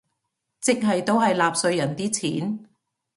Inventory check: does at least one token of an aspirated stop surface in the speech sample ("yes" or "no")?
yes